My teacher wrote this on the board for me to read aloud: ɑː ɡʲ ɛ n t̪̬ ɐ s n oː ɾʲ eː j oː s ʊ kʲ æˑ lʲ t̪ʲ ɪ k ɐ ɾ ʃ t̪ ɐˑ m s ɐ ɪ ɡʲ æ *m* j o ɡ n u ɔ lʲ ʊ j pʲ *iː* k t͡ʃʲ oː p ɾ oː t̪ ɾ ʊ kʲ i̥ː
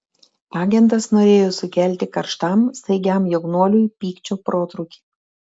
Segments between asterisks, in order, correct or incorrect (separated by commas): correct, correct